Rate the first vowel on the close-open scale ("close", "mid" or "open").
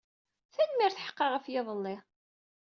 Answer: open